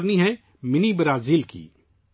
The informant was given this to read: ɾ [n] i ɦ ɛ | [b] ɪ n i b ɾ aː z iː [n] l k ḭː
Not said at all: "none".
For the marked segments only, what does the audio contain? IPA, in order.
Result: n, m, none

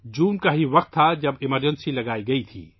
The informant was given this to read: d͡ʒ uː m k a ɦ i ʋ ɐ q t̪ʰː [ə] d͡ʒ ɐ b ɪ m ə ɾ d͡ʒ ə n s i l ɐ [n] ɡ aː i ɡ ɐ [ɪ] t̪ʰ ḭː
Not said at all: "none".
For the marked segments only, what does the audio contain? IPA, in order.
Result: a, none, i

